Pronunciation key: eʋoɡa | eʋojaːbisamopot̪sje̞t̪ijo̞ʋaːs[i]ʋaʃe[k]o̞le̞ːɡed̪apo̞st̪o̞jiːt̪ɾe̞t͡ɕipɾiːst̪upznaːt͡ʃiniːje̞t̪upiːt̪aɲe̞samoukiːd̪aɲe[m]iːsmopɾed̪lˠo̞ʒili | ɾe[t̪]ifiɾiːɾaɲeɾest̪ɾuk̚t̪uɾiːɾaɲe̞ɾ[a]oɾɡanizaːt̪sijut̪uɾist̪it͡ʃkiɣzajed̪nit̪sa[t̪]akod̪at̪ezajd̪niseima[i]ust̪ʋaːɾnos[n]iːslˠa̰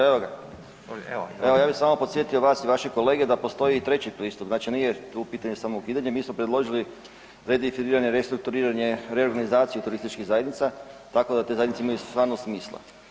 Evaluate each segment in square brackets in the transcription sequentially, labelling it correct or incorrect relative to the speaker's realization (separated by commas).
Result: correct, correct, correct, incorrect, incorrect, correct, incorrect, incorrect